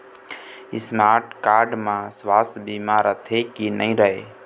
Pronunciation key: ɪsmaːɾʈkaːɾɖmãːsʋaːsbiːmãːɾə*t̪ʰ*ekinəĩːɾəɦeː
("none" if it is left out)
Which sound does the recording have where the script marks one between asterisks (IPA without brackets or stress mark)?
t̪ʰ